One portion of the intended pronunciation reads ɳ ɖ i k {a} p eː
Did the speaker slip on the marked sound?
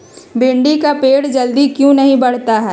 no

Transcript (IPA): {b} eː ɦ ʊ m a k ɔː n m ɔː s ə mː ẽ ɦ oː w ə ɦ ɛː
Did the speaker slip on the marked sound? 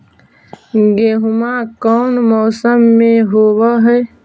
yes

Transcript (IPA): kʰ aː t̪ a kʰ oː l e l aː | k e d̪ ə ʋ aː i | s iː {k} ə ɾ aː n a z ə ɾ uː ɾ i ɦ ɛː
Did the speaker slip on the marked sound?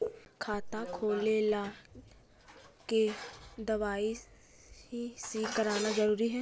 no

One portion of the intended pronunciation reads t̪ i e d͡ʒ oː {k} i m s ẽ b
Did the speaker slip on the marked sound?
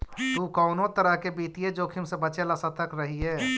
yes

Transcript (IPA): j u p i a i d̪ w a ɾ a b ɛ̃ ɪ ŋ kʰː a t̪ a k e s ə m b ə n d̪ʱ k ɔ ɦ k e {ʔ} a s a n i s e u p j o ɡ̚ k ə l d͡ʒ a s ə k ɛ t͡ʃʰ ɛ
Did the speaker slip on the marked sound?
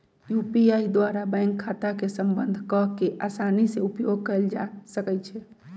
no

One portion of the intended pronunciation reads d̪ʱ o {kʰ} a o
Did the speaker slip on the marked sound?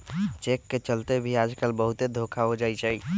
no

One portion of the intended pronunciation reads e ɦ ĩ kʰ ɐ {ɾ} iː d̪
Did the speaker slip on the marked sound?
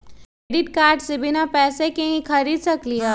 no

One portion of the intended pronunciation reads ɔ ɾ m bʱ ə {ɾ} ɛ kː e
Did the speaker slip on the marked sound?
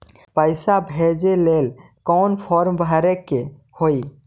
no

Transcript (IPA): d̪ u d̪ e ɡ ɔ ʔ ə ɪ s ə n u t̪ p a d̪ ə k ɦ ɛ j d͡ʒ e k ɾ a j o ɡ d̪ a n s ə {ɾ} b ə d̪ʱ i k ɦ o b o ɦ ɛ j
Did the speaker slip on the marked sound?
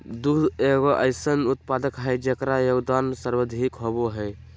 no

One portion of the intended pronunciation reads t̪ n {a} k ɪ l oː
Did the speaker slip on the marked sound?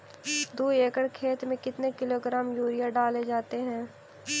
yes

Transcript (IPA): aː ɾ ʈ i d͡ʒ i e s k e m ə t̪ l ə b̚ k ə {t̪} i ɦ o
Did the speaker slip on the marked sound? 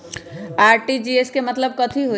yes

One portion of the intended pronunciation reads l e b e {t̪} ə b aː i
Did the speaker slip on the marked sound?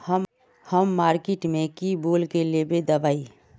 yes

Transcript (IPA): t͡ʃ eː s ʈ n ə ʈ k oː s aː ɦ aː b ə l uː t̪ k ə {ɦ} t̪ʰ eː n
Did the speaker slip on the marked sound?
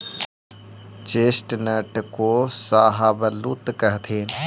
no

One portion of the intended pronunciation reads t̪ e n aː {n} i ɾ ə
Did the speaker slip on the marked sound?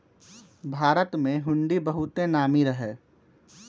yes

